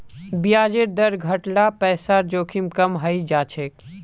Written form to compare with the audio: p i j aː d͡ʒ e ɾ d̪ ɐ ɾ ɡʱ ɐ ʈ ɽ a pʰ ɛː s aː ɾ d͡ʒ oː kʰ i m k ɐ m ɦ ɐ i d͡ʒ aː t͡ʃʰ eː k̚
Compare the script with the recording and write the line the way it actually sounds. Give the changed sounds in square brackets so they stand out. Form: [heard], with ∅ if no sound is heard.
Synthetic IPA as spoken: [b] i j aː d͡ʒ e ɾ d̪ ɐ ɾ ɡʱ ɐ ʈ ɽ a [p] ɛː s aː ɾ d͡ʒ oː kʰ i m k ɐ m ɦ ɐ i d͡ʒ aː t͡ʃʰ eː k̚